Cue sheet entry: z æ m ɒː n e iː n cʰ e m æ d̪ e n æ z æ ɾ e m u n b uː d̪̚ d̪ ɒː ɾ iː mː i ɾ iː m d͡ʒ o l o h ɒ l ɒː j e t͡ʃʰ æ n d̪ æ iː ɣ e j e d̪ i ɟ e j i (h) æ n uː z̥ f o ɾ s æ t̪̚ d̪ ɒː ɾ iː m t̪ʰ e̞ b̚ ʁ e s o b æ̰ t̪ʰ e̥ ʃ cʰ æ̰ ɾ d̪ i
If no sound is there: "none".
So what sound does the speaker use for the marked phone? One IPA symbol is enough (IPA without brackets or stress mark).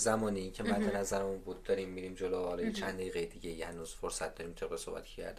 h